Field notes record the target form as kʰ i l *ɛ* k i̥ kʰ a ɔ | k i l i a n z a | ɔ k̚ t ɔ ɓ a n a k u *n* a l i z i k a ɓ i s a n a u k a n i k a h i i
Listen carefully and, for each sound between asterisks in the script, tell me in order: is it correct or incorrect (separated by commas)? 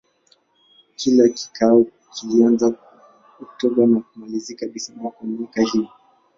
incorrect, incorrect